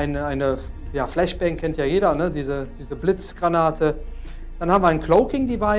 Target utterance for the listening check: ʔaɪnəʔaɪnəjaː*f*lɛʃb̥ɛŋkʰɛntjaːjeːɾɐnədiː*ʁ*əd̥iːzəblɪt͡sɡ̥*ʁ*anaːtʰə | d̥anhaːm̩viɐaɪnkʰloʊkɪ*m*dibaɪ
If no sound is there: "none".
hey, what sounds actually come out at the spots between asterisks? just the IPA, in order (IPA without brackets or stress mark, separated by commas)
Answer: f, z, ʁ, ŋ